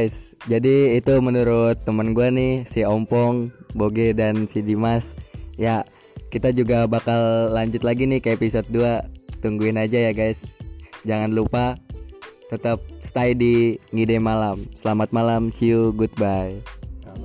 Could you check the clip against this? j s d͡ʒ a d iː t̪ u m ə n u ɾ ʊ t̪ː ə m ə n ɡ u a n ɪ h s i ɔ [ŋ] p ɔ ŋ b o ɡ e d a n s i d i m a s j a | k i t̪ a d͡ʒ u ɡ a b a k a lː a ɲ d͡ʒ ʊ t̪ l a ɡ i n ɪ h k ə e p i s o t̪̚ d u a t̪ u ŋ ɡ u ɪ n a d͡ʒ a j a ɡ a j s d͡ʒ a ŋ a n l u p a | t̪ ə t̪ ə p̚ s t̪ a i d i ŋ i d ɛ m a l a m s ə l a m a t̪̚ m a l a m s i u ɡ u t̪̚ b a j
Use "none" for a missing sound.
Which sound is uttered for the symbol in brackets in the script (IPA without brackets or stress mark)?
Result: m